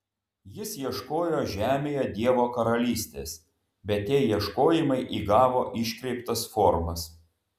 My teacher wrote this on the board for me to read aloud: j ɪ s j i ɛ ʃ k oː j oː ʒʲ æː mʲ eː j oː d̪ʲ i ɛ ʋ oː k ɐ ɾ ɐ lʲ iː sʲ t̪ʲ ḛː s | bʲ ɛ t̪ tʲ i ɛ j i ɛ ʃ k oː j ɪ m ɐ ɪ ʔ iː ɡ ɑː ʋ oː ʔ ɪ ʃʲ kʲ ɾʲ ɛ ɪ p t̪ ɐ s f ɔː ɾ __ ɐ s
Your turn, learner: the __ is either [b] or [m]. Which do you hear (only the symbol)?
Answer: m